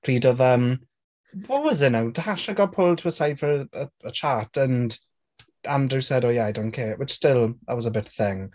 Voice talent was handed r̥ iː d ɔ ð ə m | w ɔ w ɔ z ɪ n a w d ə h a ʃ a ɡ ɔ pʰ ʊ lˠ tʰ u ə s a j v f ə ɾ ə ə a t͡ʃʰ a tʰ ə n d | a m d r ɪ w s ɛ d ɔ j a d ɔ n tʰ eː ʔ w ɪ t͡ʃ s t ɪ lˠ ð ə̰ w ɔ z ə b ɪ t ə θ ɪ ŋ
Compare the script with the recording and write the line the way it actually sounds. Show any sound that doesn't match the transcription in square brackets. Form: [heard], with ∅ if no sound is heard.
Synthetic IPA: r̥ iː d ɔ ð ə m | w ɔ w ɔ z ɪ n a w d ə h a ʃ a ɡ ɔ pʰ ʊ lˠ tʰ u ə s a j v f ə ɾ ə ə [ə] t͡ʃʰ a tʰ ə n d | a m d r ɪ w s ɛ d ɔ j a d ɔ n [kʰ] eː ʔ w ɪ t͡ʃ s t ɪ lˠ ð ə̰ w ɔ z ə b ɪ t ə θ ɪ ŋ